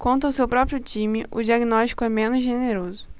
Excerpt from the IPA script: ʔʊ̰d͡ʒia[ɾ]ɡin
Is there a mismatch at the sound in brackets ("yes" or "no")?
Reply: yes